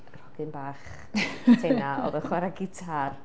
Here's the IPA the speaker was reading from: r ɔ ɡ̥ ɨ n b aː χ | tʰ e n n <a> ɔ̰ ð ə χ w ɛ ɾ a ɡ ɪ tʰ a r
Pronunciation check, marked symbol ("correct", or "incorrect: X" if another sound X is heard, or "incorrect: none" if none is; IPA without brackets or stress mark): correct